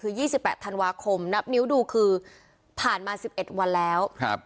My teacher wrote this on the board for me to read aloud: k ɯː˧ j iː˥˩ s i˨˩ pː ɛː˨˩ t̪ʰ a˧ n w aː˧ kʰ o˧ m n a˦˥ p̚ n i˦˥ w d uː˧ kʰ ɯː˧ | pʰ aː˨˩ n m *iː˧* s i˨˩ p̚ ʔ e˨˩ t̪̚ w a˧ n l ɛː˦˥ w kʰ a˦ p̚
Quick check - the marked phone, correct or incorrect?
incorrect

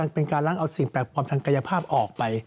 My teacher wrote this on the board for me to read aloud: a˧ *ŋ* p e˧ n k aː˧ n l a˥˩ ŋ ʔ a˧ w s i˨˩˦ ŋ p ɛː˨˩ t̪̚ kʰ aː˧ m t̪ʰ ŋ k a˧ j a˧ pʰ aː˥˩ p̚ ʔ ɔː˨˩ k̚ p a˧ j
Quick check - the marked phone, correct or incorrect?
correct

